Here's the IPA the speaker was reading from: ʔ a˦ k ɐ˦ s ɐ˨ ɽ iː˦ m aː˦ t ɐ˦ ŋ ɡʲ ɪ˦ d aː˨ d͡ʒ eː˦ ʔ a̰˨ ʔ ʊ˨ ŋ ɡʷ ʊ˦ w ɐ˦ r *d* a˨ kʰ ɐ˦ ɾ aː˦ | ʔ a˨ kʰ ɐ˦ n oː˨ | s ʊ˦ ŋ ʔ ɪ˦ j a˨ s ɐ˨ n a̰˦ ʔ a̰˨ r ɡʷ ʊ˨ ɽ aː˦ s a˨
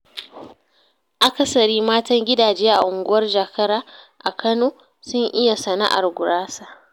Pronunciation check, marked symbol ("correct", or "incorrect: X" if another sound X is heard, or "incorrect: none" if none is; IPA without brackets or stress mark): incorrect: d͡ʒ